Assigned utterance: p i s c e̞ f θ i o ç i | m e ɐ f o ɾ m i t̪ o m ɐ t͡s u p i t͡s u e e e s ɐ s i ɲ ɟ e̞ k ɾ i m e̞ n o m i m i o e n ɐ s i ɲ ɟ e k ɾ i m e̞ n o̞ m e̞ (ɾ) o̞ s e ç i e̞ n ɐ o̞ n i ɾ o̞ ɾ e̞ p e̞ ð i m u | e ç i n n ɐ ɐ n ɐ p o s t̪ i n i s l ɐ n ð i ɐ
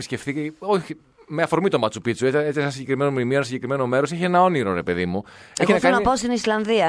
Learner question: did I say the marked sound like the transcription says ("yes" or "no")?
yes